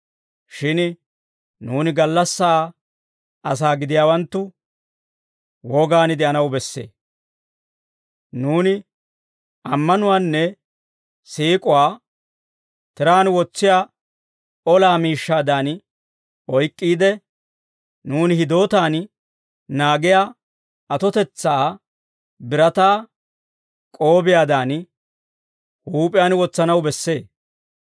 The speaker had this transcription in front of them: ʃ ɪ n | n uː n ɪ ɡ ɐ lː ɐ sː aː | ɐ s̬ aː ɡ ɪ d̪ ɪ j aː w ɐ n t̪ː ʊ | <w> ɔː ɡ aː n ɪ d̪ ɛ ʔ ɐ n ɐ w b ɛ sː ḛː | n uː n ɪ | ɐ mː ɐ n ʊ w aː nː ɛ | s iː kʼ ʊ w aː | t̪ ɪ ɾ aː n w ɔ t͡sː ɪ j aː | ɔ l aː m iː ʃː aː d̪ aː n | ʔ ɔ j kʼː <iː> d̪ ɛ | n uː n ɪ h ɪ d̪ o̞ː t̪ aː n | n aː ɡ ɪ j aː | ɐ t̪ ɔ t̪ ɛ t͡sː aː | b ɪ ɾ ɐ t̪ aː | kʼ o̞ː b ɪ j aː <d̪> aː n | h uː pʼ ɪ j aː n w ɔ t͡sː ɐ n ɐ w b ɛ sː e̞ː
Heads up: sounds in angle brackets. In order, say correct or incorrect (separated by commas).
correct, correct, correct